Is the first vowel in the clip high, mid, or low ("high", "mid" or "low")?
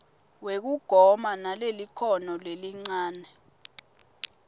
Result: mid